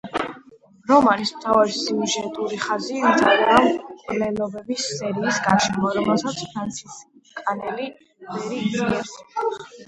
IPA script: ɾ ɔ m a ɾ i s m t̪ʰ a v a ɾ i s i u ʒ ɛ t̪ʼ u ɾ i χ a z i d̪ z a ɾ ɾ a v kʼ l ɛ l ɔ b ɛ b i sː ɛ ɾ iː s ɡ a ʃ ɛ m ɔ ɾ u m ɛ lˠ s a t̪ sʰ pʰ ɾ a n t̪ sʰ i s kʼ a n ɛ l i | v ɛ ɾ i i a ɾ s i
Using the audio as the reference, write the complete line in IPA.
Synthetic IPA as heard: ɾ ɔ m a ɾ i s m t̪ʰ a v a ɾ i s i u ʒ ɛ t̪ʼ u ɾ i χ a z i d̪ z a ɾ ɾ a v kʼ l ɛ l ɔ b ɛ b i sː ɛ ɾ iː s ɡ a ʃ ɛ m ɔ ɾ ɔ m ɛ lˠ s a t̪ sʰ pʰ ɾ a n t̪ sʰ i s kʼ a n ɛ l i | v ɛ ɾ i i ɛ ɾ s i

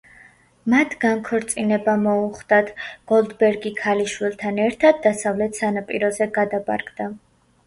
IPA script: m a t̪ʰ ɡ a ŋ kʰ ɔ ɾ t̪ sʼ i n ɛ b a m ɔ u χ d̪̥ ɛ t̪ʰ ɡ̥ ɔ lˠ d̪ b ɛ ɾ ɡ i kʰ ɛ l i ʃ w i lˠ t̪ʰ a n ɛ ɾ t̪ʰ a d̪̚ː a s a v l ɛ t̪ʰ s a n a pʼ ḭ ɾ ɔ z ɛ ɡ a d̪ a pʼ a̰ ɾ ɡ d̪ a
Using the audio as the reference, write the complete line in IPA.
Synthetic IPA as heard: m a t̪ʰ ɡ a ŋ kʰ ɔ ɾ t̪ sʼ i n ɛ b a m ɔ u χ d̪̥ a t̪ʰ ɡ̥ ɔ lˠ d̪ b ɛ ɾ ɡ i kʰ a l i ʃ w i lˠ t̪ʰ a n ɛ ɾ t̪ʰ a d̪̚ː a s a v l ɛ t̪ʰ s a n a pʼ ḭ ɾ ɔ z ɛ ɡ a d̪ a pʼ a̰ ɾ ɡ d̪ a

